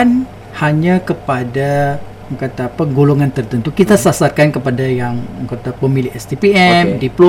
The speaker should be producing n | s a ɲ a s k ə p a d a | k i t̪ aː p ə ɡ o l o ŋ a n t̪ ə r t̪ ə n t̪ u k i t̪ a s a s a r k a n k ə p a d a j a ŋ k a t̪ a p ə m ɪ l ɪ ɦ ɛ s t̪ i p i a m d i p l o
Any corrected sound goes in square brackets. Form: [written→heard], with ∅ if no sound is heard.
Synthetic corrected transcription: n | [s→h] a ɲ a [s→∅] k ə p a d a | k [i→a] t̪ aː p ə ɡ o l o ŋ a n t̪ ə r t̪ ə n t̪ u k i t̪ a s a s a r k a n k ə p a d a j a ŋ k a t̪ a p ə m [ɪ→i] l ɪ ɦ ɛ s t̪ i p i [a→ɛ] m d i p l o